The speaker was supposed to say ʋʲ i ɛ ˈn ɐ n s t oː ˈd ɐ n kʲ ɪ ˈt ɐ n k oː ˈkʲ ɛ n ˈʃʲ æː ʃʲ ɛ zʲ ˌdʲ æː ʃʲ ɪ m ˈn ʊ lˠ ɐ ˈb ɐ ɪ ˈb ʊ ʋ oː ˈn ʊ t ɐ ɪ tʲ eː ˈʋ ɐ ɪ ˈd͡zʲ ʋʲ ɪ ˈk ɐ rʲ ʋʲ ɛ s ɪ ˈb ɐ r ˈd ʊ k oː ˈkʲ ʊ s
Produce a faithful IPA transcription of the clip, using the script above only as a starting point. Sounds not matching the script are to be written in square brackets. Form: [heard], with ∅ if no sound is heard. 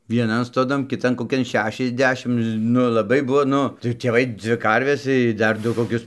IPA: ʋʲ i ɛ ˈn ɐ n s t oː ˈd ɐ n kʲ ɪ ˈt ɐ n k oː ˈkʲ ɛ n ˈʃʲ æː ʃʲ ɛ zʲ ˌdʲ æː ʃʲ ɪ m ˈn ʊ lˠ ɐ ˈb ɐ ɪ ˈb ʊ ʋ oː ˈn ʊ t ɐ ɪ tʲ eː ˈʋ ɐ ɪ ˈd͡zʲ ʋʲ ɪ ˈk ɐ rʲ ʋʲ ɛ s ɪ [ˈd] ɐ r ˈd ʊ k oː ˈkʲ ʊ s